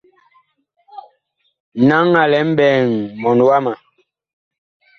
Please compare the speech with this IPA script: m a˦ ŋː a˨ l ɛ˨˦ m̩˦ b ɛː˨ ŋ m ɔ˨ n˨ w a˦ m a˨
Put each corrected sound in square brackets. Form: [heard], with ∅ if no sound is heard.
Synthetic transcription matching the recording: [n] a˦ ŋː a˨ l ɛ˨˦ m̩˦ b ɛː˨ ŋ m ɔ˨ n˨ w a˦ m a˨